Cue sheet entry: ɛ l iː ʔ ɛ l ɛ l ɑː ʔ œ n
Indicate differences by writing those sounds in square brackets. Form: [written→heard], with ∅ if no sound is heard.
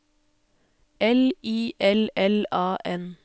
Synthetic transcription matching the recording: ɛ l iː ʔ ɛ l ɛ l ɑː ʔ [œ→ɛ] n

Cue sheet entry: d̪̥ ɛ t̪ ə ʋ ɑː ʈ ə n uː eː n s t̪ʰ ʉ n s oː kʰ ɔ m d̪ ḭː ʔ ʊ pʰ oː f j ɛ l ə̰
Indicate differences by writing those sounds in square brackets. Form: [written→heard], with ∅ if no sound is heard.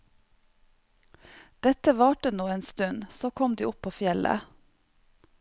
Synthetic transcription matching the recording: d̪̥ ɛ t̪ ə ʋ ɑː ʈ ə n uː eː n s [t̪ʰ→t̪] ʉ n s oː kʰ ɔ m d̪ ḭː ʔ ʊ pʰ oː f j ɛ l ə̰

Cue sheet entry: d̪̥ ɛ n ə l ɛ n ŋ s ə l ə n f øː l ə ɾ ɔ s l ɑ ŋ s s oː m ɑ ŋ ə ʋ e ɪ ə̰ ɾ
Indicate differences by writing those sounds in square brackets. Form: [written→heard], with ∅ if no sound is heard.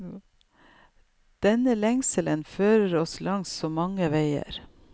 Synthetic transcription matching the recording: d̪̥ ɛ n ə l ɛ [n→∅] ŋ s ə l ə n f øː [l→ɾ] ə ɾ ɔ s l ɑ ŋ s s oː m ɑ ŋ ə ʋ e ɪ ə̰ ɾ

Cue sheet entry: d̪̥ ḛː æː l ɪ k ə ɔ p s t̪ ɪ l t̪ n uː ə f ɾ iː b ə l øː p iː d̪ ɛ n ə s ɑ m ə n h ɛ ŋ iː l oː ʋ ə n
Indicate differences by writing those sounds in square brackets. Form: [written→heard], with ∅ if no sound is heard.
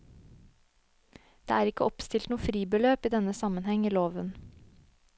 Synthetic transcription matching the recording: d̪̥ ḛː æː [l→ɾ] ɪ k ə ɔ p s t̪ ɪ l t̪ n uː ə f ɾ iː b ə l øː p iː d̪ ɛ n ə s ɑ m ə n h ɛ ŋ iː l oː ʋ ə n

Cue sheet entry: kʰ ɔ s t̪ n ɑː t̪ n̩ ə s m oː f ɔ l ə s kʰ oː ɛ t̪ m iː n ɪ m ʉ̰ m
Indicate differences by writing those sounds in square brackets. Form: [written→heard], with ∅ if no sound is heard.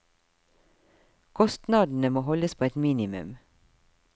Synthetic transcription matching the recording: kʰ ɔ s t̪ n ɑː [t̪→d̪] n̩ ə [s→∅] m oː [f→h] ɔ l ə s [kʰ→pʰ] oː ɛ t̪ m iː n ɪ m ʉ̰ m

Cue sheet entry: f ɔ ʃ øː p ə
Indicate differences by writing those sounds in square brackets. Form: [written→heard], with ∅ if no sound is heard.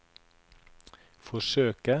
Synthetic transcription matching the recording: f ɔ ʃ øː [p→k] ə

